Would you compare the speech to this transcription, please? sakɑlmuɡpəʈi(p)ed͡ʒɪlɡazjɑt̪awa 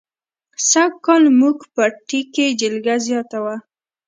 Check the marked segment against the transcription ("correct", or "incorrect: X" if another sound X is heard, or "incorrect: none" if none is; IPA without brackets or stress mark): incorrect: k